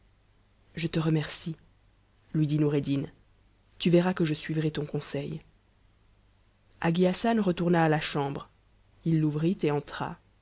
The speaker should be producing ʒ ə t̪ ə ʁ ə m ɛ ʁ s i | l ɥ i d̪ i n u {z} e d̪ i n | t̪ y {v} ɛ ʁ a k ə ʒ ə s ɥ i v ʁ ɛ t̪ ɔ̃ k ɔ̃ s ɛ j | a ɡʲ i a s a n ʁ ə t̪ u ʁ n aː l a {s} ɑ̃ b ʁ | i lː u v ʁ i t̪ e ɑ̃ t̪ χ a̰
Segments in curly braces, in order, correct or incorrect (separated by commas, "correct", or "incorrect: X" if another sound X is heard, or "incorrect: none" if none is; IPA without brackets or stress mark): incorrect: ʁ, correct, incorrect: ʃ